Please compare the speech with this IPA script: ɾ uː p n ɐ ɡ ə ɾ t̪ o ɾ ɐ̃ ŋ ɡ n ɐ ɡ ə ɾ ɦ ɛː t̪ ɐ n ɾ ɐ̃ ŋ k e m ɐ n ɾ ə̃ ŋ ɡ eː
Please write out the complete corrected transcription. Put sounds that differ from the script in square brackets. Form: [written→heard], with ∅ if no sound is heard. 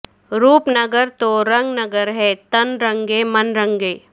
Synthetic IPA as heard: ɾ uː p n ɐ ɡ ə ɾ t̪ o ɾ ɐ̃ ŋ ɡ n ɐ ɡ ə ɾ ɦ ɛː t̪ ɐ n ɾ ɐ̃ ŋ [k→ɡ] e m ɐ n ɾ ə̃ ŋ ɡ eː